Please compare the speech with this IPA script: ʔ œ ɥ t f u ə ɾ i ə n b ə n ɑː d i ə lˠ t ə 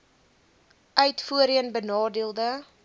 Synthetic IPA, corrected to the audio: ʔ œ ɥ t f u ə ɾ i ə n b ə n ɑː d i ə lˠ d ə